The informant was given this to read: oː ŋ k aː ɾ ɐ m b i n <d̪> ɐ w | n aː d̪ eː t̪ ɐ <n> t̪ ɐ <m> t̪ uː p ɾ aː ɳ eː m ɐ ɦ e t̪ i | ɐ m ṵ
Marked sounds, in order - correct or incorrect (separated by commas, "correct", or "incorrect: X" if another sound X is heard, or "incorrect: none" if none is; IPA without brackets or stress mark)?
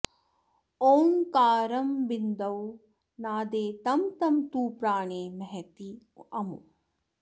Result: correct, incorrect: m, correct